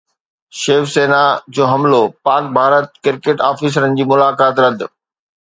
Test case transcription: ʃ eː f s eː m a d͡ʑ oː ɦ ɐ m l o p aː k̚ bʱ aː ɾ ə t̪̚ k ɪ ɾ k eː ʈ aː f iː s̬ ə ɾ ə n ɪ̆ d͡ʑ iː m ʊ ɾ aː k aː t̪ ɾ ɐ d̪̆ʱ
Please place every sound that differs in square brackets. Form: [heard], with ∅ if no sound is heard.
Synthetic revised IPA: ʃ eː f s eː [n] a d͡ʑ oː ɦ ɐ m l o p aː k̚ bʱ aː ɾ ə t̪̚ k ɪ ɾ k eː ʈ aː f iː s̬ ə ɾ ə n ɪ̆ d͡ʑ iː m ʊ [l] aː k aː t̪ ɾ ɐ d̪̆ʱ